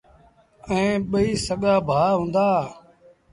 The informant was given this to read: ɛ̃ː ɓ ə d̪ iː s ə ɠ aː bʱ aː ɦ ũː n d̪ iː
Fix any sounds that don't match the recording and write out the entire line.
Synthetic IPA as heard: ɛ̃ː ɓ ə iː s ə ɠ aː bʱ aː ɦ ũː n d̪ aː